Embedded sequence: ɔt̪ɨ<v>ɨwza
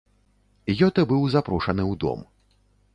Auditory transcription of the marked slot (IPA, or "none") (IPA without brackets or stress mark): b